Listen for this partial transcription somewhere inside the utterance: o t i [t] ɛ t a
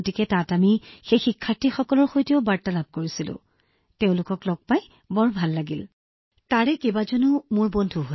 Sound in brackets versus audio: incorrect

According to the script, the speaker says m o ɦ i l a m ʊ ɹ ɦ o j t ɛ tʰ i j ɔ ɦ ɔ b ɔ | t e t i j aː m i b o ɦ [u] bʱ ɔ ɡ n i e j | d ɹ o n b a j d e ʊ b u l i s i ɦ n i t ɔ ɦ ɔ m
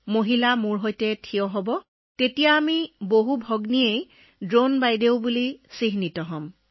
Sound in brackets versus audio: correct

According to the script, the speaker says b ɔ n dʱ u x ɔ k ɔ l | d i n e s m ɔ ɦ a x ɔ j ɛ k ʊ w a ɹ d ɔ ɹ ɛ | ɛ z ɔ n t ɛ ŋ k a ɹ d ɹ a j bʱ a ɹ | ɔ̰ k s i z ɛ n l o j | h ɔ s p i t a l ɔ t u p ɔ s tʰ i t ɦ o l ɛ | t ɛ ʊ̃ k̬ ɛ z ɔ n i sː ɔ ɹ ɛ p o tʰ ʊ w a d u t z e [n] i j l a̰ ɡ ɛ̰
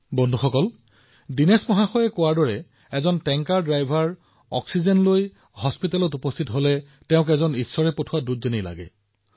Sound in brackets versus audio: correct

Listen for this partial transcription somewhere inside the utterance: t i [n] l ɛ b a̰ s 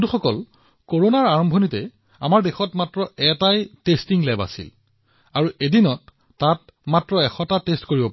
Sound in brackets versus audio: incorrect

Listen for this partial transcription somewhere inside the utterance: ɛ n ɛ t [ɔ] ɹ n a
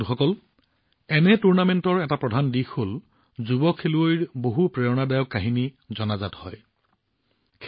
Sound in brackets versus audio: incorrect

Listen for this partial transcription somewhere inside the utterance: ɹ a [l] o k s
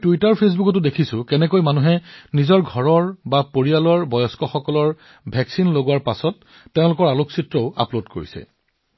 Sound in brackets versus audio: correct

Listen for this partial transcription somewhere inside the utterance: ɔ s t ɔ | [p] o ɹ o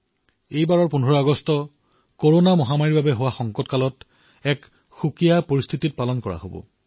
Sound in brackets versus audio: incorrect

